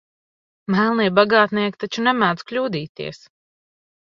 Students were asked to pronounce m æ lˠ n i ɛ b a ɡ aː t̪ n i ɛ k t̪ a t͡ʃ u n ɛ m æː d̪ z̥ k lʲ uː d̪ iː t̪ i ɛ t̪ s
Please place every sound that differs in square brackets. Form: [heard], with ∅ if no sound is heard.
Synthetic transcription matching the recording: m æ lˠ n i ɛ b a ɡ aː t̪ n i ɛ k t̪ a t͡ʃ u n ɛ m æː d̪ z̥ k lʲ uː d̪ iː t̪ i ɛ [∅] s